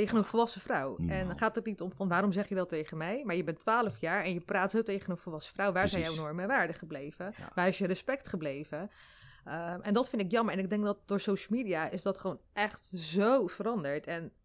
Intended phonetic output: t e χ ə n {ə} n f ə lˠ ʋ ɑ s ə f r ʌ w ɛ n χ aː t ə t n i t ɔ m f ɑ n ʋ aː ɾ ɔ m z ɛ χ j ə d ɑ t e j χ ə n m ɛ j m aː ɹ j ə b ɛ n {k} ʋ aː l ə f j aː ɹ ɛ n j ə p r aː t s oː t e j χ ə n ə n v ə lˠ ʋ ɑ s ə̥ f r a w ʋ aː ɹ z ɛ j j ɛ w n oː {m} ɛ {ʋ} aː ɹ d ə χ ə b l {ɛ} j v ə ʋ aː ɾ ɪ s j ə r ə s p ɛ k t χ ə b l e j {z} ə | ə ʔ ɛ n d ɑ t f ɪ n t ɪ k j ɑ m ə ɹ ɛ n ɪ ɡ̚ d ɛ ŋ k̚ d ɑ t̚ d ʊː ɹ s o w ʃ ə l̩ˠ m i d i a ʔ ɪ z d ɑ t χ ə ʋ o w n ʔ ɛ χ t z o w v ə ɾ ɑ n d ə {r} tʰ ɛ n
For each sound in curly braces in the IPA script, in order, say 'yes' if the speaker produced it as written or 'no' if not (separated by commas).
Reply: yes, no, yes, yes, no, no, no